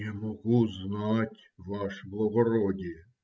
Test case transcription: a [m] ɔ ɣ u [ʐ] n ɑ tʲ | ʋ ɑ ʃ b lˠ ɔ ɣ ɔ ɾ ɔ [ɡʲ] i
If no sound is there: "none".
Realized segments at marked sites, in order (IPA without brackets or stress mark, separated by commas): m, z, dʲ